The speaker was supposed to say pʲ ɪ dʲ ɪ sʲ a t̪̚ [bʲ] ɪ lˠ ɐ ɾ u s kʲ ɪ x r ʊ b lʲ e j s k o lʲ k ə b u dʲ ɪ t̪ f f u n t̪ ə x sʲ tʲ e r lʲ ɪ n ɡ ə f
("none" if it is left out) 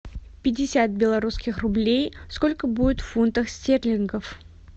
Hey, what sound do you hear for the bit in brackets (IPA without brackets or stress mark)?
bʲ